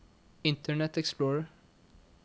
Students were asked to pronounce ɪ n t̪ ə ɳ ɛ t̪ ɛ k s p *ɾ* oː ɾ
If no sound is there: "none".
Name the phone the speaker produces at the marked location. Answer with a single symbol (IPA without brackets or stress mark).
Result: l